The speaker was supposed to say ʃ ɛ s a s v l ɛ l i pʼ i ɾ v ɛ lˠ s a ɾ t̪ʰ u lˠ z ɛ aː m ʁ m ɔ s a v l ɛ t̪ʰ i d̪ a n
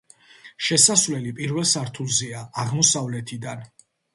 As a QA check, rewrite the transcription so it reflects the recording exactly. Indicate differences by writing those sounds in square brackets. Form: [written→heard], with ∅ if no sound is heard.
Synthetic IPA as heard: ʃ ɛ s a s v l ɛ l i pʼ i ɾ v ɛ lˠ s a ɾ t̪ʰ u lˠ z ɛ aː [m→∅] ʁ m ɔ s a v l ɛ t̪ʰ i d̪ a n